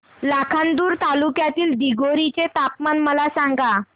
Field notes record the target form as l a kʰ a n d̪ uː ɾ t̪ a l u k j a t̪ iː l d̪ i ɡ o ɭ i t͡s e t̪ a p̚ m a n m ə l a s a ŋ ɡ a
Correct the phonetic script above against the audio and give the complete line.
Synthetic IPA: l a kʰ a n d̪ uː ɾ t̪ a l u k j a t̪ iː l d̪ i ɡ o ɾ i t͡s e t̪ a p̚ m a n m ə l a s a ŋ ɡ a

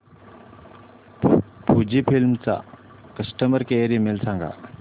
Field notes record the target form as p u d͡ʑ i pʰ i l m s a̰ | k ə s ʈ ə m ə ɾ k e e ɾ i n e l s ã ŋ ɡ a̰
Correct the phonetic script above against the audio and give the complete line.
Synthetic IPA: p u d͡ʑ i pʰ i l m t͡s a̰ | k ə s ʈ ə m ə ɾ k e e ɾ i m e l s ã ŋ ɡ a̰

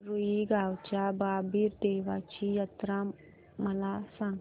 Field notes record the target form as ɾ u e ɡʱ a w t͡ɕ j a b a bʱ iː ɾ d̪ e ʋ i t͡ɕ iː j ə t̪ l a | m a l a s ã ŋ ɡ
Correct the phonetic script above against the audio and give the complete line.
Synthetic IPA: ɾ u i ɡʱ a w t͡ɕ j a b a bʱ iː ɾ d̪ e ʋ a t͡ɕ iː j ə t̪ ɾ a | m ə l a s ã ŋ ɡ

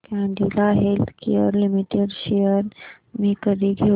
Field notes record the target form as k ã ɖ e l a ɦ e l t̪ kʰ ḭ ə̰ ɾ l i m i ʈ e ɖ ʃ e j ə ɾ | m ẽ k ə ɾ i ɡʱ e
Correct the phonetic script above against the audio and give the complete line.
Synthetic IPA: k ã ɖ i l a ɦ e l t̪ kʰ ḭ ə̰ ɾ l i m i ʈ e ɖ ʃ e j ə ɾ | m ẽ k ə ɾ i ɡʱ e

